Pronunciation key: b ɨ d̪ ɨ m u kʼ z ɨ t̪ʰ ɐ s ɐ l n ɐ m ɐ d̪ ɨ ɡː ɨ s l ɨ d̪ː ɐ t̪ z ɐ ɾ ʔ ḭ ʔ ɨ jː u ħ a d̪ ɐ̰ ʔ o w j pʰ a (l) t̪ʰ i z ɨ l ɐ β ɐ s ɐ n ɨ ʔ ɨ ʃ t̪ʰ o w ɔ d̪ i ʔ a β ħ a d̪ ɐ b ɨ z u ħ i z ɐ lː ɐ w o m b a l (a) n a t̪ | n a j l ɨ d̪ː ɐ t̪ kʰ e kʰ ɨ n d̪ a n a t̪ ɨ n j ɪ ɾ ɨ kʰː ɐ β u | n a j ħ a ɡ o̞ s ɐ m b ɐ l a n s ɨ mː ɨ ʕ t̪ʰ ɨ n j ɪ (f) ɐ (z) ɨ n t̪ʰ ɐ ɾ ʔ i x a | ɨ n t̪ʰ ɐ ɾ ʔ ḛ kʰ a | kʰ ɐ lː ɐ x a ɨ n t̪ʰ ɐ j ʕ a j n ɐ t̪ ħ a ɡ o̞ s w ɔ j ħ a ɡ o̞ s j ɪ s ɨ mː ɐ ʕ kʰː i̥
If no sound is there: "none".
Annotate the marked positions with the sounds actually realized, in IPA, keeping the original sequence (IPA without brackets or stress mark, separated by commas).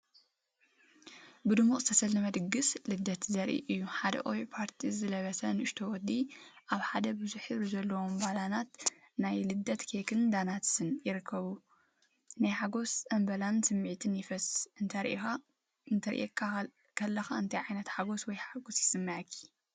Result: ɾ, a, f, s